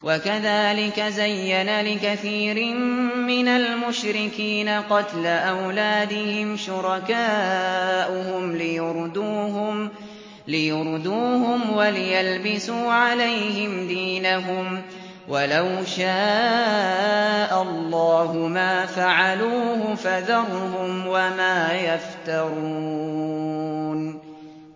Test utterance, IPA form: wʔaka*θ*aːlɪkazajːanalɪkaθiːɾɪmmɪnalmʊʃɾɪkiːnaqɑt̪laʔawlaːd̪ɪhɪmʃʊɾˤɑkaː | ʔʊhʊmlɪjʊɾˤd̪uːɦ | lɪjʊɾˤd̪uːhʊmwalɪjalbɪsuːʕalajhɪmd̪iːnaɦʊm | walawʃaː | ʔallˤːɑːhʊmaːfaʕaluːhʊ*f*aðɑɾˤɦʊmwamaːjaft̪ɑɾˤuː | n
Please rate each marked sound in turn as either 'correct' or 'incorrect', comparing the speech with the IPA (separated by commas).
incorrect, correct